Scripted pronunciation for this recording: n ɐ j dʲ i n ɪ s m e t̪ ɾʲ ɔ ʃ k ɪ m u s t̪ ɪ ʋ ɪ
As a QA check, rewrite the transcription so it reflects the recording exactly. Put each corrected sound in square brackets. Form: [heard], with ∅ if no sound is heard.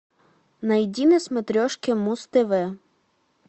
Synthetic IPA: n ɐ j dʲ i n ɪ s m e t̪ ɾʲ ɔ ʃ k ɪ m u s t̪ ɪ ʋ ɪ